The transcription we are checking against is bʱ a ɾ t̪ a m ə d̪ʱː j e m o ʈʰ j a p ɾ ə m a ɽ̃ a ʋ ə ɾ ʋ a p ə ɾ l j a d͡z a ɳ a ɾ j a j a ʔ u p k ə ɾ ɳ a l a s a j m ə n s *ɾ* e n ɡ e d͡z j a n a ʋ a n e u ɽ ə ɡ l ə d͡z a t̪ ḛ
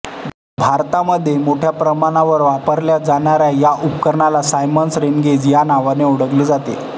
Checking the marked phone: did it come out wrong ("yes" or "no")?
no